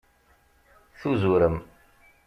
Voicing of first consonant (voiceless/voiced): voiceless